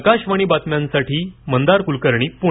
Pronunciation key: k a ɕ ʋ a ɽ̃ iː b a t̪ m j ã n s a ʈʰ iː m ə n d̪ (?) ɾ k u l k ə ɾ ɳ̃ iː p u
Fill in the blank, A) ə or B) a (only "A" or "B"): B